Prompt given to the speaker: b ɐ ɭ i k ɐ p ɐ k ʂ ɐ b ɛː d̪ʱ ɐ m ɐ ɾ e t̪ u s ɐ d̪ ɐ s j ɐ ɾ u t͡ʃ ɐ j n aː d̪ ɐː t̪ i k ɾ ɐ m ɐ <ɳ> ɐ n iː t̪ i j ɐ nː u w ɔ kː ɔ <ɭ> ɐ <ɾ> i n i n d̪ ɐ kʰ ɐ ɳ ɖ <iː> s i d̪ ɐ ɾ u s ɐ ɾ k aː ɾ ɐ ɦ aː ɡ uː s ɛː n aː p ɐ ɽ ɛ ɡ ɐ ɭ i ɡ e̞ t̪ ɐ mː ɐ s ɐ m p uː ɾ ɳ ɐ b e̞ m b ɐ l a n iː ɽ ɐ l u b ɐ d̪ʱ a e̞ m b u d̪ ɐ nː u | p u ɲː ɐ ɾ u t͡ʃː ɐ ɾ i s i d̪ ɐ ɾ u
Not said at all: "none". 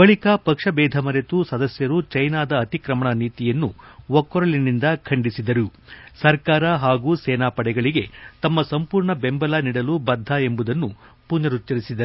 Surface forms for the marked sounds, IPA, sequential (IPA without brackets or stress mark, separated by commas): ɳ, ɾ, ɭ, i